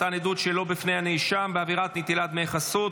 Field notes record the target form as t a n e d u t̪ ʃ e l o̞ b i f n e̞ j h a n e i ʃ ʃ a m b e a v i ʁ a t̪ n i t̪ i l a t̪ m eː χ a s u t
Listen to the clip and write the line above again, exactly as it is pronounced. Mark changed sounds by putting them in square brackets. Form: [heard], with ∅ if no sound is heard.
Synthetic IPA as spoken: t a n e d u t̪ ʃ e l o̞ b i f n e̞ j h a n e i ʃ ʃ a m b e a v i ʁ a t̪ n i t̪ i l a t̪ m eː χ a s u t